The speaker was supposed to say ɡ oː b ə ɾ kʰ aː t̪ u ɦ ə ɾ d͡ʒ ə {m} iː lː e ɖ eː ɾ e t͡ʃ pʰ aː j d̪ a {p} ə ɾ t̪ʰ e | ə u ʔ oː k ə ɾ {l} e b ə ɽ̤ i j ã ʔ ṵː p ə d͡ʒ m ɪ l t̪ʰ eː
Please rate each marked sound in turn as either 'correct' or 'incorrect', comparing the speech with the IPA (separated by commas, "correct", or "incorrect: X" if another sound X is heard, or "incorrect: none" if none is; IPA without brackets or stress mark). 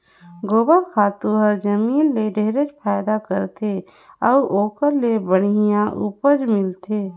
correct, incorrect: k, correct